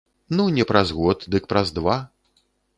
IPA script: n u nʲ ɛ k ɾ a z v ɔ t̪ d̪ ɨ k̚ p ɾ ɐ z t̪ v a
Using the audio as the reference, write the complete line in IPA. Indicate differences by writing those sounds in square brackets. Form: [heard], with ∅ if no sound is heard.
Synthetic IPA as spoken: n u nʲ ɛ [p] ɾ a z [ɣ] ɔ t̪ d̪ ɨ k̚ p ɾ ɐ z [d̪] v a

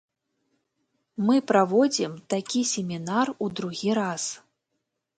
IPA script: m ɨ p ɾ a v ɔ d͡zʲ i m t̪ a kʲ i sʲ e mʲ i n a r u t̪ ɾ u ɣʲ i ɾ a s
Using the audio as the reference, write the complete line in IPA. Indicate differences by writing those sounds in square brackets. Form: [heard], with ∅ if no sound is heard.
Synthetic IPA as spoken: m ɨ p ɾ a v ɔ d͡zʲ i m t̪ a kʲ i sʲ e mʲ i n a r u [d̪] ɾ u ɣʲ i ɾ a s

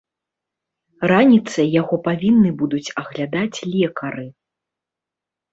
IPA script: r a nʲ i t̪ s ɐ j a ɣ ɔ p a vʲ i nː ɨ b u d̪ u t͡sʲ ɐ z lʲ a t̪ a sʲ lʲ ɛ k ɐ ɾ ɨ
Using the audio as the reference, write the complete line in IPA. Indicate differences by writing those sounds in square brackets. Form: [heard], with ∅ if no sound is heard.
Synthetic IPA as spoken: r a nʲ i t̪ s ɐ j a ɣ ɔ p a vʲ i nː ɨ b u d̪ u t͡sʲ ɐ [ɣ] lʲ a [d̪] a [t͡sʲ] lʲ ɛ k ɐ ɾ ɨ

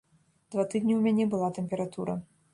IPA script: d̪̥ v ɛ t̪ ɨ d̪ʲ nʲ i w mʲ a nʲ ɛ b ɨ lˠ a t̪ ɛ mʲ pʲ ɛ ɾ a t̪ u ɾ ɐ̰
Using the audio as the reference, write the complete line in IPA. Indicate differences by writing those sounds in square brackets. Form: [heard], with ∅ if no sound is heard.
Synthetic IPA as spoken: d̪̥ v [a] t̪ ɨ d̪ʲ nʲ i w mʲ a nʲ ɛ b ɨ lˠ a t̪ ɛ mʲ pʲ ɛ ɾ a t̪ u ɾ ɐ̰

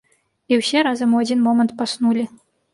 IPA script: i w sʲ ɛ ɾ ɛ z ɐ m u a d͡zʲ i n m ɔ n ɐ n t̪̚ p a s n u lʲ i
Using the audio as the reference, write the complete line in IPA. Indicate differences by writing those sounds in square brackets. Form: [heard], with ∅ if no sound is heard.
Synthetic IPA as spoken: i w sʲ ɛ ɾ [a] z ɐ m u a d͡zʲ i n m ɔ [m] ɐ n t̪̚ p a s n u lʲ i

